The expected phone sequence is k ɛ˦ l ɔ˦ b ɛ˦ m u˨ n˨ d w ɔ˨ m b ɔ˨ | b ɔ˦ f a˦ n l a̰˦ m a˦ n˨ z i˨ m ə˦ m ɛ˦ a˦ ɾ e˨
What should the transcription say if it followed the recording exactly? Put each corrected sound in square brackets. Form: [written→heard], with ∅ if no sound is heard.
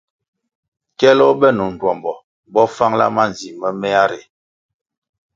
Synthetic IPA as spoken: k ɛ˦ l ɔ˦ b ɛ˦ [m→n] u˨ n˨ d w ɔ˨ m b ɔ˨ | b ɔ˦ f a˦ [n→ŋ] l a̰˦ m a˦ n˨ z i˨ m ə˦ m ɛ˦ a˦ ɾ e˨